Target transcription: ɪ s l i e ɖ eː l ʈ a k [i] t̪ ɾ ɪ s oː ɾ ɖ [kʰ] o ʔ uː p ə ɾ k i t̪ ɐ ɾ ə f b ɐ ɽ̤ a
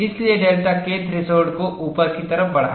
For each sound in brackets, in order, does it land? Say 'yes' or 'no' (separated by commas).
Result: no, no